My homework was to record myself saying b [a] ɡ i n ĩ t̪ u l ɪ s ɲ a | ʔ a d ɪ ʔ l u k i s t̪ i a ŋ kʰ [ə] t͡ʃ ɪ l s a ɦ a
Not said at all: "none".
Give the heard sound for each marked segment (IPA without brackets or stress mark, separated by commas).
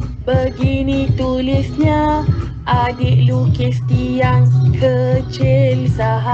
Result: ə, ə